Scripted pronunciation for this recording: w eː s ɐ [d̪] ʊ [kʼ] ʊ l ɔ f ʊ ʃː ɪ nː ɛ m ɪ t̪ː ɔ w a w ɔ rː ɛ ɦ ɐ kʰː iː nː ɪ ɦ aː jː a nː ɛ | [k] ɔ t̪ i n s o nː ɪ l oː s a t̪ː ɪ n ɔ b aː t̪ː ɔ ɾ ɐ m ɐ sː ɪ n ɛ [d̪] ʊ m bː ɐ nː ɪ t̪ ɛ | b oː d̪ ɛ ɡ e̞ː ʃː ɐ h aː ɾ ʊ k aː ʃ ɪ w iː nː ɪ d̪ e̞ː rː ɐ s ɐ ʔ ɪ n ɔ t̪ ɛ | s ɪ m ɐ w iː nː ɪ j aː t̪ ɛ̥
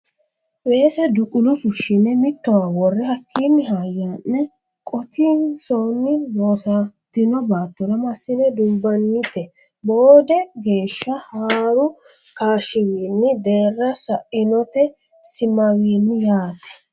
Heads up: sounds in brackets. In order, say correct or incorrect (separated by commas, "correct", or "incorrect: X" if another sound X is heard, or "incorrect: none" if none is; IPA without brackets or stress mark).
correct, correct, incorrect: kʼ, correct